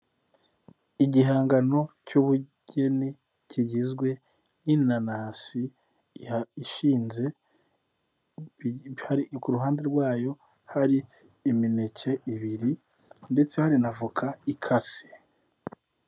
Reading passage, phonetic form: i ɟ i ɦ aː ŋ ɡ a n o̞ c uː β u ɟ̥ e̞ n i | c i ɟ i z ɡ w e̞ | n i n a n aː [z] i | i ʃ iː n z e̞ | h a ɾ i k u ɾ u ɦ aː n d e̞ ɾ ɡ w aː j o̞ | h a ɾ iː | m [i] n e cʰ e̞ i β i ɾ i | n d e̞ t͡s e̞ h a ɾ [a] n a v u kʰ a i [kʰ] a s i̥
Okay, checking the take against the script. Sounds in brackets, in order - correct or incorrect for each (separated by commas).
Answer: incorrect, correct, incorrect, correct